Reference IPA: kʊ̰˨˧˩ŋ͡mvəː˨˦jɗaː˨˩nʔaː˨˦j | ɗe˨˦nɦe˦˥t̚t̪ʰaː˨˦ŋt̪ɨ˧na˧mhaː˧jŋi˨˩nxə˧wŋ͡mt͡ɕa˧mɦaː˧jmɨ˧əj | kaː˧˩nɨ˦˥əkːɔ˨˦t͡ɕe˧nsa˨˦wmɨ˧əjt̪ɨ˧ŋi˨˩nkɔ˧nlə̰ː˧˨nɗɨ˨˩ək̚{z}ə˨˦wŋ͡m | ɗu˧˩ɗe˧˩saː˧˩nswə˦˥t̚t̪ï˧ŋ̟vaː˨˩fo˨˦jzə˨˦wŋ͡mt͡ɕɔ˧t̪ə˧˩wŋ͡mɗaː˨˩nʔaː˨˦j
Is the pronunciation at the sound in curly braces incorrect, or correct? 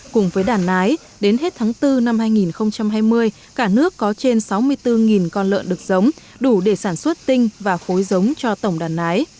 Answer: correct